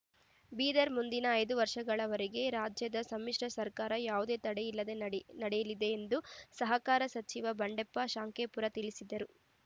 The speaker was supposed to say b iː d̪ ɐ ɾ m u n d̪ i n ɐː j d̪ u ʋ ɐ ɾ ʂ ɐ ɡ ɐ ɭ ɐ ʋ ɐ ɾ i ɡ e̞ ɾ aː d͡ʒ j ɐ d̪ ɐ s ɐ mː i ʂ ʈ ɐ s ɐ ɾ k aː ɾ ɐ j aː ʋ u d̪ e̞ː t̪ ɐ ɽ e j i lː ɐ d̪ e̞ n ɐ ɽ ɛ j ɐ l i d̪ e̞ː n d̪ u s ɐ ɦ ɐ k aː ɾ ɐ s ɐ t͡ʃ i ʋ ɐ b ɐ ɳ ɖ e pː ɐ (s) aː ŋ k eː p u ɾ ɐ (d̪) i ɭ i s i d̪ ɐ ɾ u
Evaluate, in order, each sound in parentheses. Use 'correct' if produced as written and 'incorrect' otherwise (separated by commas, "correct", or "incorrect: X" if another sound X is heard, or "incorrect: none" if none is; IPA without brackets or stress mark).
incorrect: ʃ, incorrect: t̪